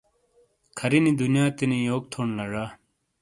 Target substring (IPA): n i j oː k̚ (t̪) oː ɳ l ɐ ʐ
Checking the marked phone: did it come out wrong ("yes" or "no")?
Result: yes